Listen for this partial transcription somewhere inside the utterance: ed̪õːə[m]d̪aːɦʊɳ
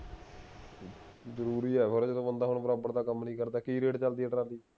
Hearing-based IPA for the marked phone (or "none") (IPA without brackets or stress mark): n